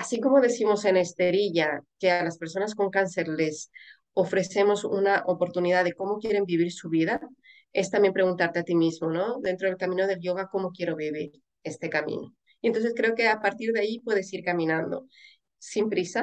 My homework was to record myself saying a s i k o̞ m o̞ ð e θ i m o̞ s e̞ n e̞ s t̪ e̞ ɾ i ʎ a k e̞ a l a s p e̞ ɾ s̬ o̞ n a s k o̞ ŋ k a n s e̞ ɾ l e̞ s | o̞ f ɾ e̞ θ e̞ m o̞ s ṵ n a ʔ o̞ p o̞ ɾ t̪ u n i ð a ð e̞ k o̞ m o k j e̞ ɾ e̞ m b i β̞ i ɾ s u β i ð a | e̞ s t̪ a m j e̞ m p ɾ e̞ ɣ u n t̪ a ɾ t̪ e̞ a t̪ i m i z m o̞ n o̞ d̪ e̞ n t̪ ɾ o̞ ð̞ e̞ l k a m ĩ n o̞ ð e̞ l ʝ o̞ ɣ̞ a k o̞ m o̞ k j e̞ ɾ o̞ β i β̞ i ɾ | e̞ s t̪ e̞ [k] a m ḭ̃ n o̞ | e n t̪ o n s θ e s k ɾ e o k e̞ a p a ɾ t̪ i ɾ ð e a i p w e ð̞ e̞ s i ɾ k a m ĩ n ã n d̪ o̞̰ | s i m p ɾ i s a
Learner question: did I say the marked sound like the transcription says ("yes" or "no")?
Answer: yes